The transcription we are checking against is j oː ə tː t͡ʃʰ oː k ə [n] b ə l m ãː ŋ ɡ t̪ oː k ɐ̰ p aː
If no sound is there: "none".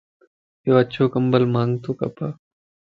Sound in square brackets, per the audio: m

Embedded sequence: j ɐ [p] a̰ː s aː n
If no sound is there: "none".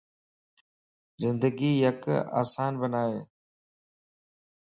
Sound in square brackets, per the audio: k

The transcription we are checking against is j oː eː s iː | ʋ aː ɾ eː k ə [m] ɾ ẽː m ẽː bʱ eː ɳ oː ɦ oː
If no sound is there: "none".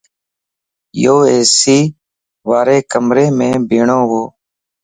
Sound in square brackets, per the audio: m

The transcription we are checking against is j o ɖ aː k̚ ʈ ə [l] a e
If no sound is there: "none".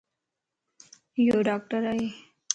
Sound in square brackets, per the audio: ɾ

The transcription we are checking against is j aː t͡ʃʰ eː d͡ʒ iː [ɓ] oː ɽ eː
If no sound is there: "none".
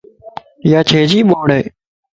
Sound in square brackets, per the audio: ɓ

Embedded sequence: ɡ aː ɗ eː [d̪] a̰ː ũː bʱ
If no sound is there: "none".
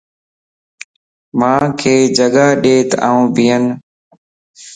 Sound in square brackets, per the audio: t̪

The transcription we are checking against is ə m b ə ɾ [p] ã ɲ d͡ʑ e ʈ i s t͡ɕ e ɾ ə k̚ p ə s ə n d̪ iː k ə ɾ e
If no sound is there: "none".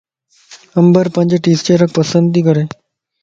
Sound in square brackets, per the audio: p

